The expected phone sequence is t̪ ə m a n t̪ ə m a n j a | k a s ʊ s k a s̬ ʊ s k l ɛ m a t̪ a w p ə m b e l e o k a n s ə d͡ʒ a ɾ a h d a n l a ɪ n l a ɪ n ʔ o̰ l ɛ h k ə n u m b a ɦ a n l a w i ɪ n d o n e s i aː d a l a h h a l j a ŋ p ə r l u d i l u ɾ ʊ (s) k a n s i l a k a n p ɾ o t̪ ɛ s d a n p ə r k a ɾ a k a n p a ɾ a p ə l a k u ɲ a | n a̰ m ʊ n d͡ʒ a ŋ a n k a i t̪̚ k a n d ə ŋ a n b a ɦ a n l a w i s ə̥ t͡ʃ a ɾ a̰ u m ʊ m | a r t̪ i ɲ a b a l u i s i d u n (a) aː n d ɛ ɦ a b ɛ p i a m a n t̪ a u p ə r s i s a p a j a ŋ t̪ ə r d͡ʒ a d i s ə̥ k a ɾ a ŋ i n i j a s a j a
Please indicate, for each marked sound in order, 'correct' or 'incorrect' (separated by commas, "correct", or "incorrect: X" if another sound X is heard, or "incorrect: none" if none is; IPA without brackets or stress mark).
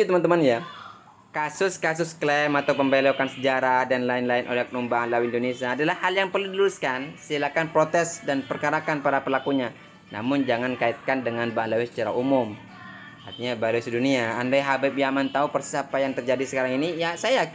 correct, incorrect: i